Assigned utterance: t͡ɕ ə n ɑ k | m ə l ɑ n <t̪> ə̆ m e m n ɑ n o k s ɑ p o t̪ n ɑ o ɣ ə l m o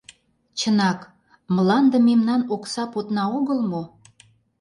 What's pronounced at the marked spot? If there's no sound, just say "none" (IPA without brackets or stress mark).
d̪